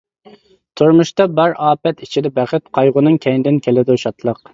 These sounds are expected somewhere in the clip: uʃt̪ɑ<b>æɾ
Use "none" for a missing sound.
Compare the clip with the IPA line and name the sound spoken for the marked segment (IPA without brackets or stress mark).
b